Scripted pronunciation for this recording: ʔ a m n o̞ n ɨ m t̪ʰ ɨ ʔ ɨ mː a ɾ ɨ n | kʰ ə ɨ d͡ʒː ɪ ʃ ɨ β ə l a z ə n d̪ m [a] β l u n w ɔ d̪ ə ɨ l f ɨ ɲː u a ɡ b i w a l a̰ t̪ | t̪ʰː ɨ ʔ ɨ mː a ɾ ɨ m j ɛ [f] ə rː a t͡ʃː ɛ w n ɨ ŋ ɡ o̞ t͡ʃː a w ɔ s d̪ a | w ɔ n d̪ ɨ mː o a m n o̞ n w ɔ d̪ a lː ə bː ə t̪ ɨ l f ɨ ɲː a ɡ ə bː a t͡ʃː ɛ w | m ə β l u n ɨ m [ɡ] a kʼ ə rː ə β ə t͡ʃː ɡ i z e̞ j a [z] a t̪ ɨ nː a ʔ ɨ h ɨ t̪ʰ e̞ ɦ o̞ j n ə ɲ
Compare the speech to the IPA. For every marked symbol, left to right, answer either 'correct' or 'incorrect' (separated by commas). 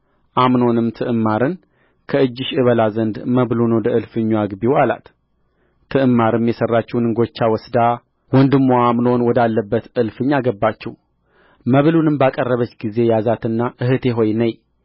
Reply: incorrect, incorrect, incorrect, correct